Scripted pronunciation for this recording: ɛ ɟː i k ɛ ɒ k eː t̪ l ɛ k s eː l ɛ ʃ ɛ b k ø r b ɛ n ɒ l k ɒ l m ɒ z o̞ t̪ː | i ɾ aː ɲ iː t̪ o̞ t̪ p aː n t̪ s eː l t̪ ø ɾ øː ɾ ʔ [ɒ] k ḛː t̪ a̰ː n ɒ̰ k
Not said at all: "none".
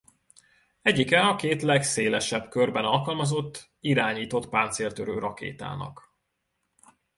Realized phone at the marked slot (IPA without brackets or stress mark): ɒ